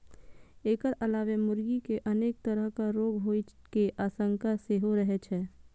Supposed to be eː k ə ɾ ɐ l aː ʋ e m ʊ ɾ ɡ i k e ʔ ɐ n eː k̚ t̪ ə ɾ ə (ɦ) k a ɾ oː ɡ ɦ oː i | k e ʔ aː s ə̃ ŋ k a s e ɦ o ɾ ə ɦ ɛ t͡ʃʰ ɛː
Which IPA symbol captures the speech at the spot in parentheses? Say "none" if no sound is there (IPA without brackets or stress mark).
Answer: ɦ